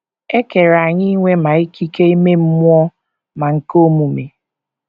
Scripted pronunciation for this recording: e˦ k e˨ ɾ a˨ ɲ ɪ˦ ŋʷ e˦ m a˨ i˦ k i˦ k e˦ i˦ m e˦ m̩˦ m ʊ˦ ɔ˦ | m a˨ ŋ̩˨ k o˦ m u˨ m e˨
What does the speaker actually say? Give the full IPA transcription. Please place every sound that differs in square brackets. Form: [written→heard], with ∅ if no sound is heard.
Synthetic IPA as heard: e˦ k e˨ ɾ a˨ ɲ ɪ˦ ŋʷ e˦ m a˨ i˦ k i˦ k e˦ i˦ m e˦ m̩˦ m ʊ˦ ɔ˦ | m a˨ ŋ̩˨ k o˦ m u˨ m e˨